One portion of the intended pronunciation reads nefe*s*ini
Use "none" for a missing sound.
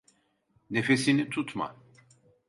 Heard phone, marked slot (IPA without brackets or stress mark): s